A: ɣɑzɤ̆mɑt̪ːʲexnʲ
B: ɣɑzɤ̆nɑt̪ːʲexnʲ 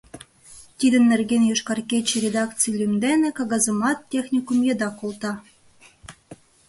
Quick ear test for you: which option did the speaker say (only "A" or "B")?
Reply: A